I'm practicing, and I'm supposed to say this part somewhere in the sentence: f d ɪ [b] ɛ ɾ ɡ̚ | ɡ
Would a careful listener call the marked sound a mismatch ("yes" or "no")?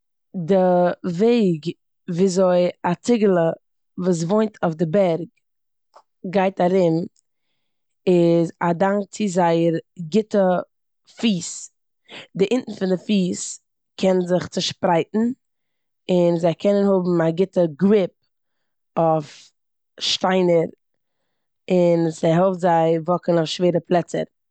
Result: no